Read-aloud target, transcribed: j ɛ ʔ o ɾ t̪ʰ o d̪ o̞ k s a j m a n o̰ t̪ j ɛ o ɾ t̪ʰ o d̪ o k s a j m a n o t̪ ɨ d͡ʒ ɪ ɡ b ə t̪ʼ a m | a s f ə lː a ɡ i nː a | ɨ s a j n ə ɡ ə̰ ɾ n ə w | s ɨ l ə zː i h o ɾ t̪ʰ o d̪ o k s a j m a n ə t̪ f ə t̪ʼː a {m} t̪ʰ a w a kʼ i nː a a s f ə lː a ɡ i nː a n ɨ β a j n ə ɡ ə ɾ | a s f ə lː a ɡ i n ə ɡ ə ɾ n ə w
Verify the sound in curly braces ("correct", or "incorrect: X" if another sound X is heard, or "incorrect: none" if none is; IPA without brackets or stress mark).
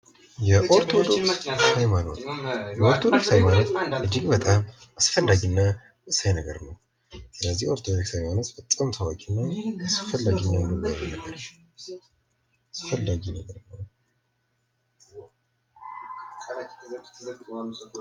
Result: correct